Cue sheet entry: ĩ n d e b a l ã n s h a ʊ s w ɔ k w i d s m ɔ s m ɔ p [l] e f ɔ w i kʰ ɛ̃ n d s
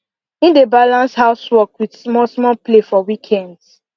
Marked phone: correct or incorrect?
correct